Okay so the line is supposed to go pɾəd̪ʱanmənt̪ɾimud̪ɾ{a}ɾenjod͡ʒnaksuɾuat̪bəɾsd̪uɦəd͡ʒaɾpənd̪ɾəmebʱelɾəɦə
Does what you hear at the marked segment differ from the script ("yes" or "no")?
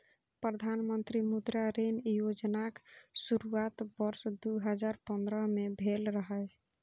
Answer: no